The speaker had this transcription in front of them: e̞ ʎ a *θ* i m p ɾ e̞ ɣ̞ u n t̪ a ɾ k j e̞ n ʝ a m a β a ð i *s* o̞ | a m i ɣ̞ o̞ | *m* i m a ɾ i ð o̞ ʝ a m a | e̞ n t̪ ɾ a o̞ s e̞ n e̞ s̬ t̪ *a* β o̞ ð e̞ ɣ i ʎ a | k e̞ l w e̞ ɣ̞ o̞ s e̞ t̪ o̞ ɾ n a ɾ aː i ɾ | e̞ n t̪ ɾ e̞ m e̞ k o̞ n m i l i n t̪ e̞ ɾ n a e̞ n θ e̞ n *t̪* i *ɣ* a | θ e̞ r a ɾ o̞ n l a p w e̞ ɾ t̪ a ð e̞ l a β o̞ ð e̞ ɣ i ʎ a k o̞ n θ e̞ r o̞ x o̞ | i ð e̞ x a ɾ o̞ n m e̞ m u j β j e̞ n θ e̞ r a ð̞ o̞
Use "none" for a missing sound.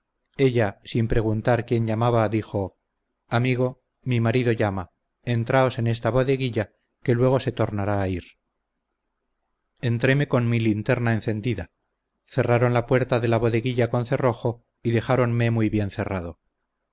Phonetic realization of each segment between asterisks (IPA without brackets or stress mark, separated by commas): s, x, m, a, d̪, ð